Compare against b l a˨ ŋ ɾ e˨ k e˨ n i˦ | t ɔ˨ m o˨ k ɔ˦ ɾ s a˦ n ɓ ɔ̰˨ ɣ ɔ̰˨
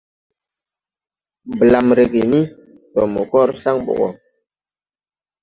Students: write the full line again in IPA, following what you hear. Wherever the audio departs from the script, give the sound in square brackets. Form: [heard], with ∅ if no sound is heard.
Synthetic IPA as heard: b l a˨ [m] ɾ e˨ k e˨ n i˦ | t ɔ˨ m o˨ k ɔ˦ ɾ s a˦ [ŋ] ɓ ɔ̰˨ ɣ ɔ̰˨